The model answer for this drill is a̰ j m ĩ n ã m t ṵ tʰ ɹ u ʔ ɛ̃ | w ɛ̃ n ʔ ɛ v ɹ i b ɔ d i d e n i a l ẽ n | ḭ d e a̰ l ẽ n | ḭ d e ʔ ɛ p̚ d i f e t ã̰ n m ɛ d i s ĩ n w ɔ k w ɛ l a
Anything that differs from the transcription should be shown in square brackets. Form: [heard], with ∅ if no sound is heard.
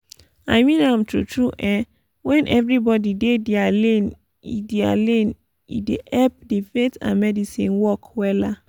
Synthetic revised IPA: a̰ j m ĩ n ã m t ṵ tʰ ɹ u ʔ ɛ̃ | w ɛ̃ n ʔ ɛ v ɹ i b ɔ d i d e [d] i a l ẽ n | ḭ d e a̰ l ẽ n | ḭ d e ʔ ɛ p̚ d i f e t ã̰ n m ɛ d i s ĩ n w ɔ k w ɛ l a